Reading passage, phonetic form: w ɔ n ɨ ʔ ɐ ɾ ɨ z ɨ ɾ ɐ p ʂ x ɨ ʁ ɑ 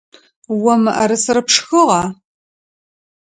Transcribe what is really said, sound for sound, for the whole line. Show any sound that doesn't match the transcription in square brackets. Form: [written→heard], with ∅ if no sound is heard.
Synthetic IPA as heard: w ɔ [n→m] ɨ ʔ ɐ ɾ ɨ [z→s] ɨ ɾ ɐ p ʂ x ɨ ʁ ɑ